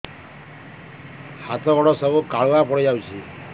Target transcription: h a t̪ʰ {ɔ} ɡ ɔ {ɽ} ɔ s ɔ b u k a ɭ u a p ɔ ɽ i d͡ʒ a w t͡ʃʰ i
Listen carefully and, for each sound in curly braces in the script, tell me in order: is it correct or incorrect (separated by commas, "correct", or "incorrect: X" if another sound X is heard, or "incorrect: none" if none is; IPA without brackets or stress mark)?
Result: correct, correct